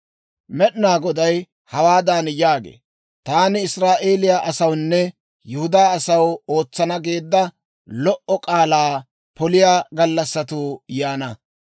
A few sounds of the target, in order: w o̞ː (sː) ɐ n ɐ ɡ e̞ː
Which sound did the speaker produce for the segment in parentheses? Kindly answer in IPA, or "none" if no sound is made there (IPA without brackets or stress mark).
t͡sː